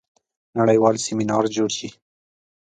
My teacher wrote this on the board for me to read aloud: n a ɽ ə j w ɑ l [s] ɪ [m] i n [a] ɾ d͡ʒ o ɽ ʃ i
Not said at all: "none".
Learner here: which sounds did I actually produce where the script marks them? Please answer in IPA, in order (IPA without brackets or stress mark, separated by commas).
s, m, ɑ